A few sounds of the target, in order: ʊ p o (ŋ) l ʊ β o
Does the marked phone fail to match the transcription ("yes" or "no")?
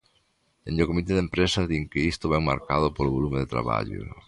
yes